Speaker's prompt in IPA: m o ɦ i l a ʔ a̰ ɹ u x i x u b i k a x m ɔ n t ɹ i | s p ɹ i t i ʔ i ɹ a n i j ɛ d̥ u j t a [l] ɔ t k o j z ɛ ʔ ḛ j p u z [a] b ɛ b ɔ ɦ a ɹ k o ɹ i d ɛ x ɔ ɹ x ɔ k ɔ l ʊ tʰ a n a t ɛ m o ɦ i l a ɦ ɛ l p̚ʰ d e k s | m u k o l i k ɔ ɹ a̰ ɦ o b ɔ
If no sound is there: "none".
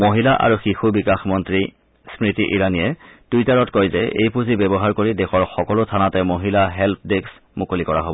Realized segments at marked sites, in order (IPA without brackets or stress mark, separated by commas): ɹ, i